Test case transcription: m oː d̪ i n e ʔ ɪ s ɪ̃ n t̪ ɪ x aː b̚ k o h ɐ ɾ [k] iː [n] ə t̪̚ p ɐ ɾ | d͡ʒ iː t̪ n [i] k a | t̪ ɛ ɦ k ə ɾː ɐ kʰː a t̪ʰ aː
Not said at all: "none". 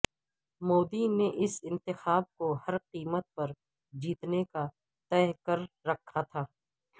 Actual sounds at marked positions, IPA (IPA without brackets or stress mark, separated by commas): q, m, e